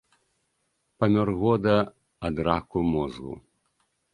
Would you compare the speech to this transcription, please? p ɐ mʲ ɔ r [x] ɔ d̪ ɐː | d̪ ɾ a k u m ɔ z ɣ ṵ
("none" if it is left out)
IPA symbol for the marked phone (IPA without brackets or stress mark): ɣ